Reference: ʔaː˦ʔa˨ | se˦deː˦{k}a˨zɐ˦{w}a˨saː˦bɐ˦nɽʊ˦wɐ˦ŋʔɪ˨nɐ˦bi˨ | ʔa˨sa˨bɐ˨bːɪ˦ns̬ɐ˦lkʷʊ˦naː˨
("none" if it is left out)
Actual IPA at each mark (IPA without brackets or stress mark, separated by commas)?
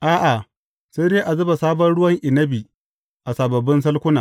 ʔ, b